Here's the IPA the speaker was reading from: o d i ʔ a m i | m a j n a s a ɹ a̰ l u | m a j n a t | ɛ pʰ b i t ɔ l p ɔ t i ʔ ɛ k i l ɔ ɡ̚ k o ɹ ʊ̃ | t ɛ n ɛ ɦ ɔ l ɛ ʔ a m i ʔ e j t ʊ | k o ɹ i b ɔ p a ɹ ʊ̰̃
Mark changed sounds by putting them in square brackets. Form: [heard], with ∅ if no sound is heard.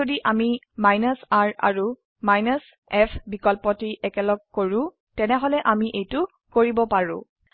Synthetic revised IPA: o d i ʔ a m i | m a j n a s a ɹ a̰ [ɹ] u | m a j n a [s] | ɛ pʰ b i [k] ɔ l p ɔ t i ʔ ɛ k [ɛ] l ɔ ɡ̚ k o ɹ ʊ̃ | t ɛ n ɛ ɦ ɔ l ɛ ʔ a m i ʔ e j t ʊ | k o ɹ i b ɔ p a ɹ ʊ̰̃